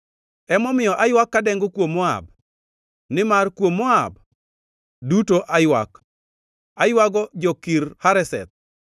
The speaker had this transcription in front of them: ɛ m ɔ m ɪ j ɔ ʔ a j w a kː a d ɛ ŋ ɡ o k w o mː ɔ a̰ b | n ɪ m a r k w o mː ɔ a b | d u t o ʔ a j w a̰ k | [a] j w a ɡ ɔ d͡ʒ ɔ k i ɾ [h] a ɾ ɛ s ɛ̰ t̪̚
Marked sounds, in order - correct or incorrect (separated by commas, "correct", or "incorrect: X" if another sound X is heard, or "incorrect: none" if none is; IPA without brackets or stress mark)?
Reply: correct, correct